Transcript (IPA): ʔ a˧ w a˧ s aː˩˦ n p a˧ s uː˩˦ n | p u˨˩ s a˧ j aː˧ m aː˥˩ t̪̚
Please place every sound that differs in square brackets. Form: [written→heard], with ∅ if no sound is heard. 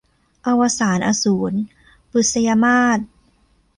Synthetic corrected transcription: ʔ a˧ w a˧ s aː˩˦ n [p→ʔ] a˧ s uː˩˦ n | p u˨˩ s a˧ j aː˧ m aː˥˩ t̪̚